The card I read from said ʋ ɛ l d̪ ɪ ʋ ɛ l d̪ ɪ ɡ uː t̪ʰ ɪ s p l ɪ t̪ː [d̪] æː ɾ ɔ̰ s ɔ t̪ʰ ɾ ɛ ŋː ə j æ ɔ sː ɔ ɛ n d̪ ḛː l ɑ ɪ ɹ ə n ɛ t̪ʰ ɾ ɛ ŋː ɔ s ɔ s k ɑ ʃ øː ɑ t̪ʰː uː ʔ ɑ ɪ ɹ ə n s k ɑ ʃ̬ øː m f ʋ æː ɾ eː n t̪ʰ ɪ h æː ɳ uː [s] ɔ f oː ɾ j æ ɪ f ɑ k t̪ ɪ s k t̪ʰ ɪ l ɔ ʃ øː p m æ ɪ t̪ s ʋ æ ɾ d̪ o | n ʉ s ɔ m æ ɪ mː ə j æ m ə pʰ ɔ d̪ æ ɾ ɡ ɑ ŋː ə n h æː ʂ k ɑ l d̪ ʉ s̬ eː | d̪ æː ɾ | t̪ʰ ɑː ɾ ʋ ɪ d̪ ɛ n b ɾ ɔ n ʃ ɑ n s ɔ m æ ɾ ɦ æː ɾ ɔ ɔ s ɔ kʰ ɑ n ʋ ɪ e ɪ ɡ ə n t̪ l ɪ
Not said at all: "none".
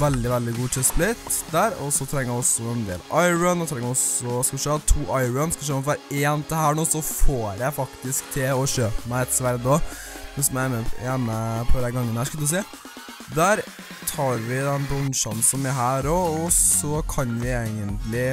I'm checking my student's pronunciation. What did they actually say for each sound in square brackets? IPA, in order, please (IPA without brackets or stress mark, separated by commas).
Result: d̪, s